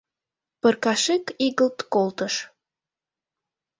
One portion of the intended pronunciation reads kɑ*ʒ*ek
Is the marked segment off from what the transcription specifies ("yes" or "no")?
yes